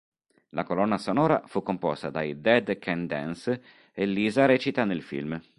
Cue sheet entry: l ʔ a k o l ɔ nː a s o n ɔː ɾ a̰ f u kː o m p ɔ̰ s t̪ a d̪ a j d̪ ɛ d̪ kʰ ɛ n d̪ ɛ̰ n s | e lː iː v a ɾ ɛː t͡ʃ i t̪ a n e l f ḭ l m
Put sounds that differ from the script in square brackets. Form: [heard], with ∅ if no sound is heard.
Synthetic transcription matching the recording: l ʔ a k o l ɔ nː a s o n ɔː ɾ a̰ f u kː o m p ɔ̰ s t̪ a d̪ a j d̪ ɛ d̪ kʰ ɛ n d̪ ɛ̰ n s | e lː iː [z] a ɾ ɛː t͡ʃ i t̪ a n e l f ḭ l m